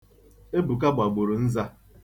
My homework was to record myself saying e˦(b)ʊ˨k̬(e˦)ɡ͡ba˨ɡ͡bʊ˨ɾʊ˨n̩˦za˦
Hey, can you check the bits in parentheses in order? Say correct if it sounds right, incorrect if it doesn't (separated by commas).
correct, incorrect